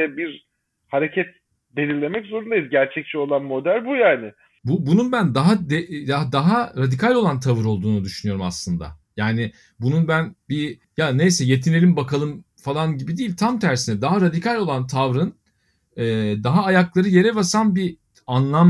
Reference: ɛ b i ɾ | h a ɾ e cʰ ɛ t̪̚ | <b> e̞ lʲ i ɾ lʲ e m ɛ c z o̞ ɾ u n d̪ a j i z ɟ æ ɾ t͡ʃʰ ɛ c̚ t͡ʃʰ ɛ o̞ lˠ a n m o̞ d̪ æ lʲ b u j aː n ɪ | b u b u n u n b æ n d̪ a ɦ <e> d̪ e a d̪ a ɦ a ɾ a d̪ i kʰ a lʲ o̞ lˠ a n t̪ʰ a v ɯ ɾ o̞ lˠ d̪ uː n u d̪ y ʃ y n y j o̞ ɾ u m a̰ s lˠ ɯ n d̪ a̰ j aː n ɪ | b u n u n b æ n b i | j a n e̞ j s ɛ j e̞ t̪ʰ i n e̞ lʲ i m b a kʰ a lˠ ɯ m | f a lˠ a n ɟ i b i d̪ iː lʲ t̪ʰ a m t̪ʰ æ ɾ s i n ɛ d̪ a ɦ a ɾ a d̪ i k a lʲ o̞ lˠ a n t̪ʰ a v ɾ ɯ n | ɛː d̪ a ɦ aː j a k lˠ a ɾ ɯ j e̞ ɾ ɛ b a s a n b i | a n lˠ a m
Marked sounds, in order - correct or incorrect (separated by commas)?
correct, incorrect